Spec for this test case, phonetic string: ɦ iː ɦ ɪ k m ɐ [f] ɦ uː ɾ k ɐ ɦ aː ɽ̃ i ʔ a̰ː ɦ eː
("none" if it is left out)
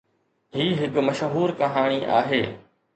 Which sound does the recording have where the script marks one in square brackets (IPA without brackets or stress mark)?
ʃ